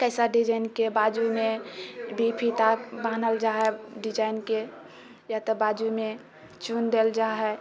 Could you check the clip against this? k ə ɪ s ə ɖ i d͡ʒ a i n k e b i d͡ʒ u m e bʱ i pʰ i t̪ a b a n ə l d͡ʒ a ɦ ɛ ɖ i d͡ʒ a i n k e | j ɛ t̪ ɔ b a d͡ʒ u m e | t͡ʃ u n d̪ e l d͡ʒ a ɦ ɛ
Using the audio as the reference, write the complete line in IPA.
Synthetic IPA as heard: k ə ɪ s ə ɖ i d͡ʒ a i n k e b a d͡ʒ u m e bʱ i pʰ i t̪ a b a n ə l d͡ʒ a ɦ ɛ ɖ i d͡ʒ a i n k e | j a t̪ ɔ b a d͡ʒ u m e | t͡ʃ u n d̪ e l d͡ʒ a ɦ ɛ